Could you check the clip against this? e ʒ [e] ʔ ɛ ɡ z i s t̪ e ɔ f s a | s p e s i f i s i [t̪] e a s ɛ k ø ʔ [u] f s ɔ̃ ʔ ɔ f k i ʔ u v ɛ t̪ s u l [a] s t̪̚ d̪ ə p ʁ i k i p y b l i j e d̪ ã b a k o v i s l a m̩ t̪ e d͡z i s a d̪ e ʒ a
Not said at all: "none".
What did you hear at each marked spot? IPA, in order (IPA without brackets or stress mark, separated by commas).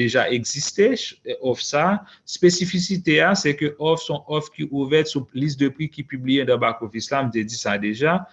a, t̪, ɔ, i